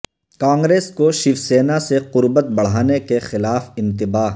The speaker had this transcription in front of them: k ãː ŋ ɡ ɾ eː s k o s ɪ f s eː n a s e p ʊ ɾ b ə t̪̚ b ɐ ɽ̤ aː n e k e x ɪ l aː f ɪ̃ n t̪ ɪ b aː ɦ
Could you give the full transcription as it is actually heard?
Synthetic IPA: k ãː ŋ ɡ ɾ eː s k o ʃ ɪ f s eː n a s e q ʊ ɾ b ə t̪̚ b ɐ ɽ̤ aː n e k e x ɪ l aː f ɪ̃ n t̪ ɪ b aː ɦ